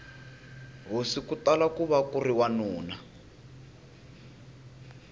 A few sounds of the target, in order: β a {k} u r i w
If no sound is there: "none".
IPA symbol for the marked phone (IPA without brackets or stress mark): k